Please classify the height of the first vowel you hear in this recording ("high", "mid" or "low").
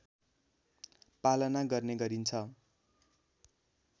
low